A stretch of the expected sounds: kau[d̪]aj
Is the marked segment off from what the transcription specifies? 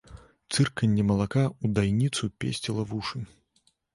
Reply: no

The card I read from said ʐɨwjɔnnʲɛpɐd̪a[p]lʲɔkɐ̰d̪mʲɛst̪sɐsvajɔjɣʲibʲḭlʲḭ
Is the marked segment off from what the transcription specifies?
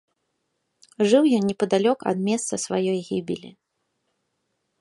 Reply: yes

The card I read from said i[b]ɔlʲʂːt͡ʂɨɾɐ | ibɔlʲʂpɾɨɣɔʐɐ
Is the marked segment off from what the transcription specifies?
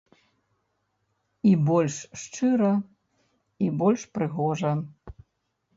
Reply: no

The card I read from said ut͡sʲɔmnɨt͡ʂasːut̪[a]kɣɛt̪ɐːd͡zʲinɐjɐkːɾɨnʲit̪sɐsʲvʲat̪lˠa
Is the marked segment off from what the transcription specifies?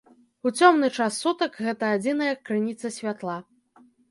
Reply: yes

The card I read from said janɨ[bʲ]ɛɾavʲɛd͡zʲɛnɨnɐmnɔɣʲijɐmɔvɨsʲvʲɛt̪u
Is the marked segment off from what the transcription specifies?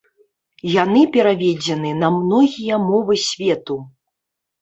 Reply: yes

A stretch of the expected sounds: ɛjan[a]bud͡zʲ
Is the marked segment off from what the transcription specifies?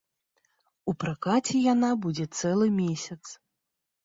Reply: no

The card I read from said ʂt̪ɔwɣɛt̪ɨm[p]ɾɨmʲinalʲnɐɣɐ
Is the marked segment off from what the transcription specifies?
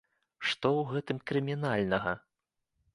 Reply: yes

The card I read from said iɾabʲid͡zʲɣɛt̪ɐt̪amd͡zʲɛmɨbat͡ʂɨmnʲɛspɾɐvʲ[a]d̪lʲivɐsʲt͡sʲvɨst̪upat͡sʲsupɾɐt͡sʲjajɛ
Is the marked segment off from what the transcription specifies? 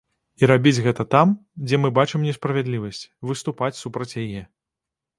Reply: yes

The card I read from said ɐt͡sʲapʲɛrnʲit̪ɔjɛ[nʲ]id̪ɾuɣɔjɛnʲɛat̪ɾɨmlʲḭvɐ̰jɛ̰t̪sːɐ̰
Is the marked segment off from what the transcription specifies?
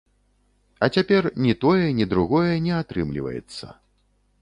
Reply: no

